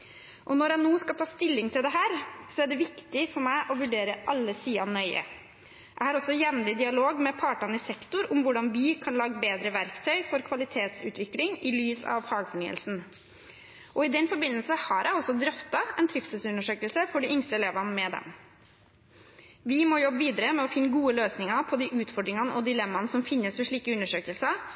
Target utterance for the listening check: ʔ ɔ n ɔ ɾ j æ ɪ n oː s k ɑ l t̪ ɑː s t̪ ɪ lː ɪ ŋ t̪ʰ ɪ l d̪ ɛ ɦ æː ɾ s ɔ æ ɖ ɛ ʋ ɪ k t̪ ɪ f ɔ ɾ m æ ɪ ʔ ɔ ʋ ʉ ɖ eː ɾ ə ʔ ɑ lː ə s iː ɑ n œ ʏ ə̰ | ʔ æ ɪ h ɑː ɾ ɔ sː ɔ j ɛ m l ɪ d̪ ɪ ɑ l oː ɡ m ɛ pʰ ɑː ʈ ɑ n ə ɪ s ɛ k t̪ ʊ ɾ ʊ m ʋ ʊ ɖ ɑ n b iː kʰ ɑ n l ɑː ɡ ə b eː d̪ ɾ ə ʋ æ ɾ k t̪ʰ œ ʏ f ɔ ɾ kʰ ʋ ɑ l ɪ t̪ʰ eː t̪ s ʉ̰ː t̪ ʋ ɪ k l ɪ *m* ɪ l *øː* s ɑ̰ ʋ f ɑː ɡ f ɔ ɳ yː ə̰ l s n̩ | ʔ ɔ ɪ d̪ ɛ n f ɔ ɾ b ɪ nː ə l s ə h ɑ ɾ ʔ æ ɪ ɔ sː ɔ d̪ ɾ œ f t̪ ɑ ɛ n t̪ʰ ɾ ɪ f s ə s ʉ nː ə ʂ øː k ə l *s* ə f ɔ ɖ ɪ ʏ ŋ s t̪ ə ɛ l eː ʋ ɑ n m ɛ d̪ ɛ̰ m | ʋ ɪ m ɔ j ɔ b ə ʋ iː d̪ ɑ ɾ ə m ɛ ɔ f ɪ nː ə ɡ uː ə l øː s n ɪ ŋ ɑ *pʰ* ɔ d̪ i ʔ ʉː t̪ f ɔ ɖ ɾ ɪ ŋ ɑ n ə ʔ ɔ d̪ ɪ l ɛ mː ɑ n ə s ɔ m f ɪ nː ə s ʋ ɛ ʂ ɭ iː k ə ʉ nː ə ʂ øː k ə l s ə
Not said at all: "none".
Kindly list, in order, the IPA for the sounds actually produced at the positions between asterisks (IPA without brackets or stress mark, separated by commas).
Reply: ŋ, yː, s, pʰ